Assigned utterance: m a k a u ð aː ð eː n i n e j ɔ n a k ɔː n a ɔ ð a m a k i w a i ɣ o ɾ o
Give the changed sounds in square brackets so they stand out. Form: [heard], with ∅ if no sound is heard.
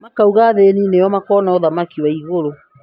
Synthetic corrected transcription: m a k a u [ɣ] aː ð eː n i n e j ɔ [m] a k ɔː n a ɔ ð a m a k i w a i ɣ o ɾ o